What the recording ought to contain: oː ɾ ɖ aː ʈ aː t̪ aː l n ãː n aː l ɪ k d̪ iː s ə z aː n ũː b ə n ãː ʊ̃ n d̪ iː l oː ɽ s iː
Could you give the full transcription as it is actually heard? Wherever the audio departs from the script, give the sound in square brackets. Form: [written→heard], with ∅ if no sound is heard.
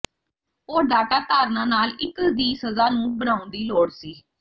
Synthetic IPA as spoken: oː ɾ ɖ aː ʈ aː t̪ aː [l→ɾ] n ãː n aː l ɪ k d̪ iː s ə z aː n ũː b ə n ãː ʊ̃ n d̪ iː l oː ɽ s iː